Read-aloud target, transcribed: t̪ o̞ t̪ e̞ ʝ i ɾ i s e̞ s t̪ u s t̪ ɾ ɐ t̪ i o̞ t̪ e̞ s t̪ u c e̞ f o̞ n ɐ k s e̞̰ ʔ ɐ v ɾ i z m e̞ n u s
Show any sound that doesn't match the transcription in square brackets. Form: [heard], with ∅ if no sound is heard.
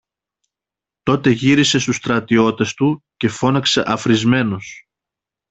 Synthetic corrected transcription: t̪ o̞ t̪ e̞ ʝ i ɾ i s e̞ s t̪ u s t̪ ɾ ɐ t̪ i o̞ t̪ e̞ s t̪ u c e̞ f o̞ n ɐ k s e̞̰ ʔ ɐ [f] ɾ i z m e̞ n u s